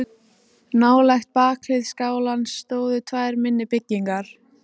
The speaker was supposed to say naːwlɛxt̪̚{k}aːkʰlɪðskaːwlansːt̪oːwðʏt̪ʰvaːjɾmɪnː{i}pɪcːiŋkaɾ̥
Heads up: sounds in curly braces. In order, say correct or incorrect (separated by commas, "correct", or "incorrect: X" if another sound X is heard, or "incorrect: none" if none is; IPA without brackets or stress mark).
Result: incorrect: p, incorrect: ɪ